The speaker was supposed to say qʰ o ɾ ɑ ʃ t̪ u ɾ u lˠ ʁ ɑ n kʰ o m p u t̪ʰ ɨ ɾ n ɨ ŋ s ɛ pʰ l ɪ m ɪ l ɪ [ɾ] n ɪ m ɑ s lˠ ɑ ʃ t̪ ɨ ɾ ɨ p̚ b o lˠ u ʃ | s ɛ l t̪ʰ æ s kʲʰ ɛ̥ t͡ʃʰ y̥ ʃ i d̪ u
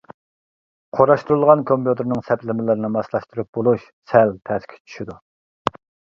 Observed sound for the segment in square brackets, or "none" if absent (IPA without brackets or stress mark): ɾ